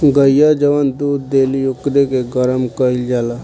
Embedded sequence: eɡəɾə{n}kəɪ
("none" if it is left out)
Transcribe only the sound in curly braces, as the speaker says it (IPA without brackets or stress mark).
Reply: m